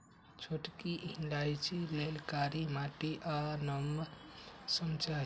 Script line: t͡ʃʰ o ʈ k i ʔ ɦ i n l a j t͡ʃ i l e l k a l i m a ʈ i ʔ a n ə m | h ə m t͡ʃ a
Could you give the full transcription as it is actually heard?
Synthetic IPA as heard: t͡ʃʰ o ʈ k i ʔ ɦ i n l a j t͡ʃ i l e l k a ɾ i m a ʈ i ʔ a n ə m | s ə m t͡ʃ a